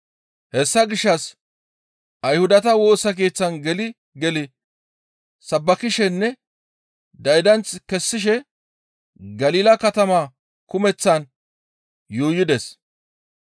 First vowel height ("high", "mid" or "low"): mid